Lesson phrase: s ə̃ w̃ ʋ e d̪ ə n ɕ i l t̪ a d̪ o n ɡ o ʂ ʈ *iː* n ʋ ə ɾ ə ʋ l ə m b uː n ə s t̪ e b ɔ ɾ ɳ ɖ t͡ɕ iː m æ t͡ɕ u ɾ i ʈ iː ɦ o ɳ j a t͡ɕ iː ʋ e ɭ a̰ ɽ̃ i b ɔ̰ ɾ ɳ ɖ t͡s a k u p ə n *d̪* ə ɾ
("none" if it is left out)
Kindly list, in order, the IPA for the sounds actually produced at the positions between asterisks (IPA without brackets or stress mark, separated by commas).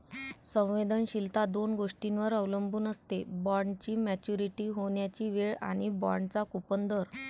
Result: i, d̪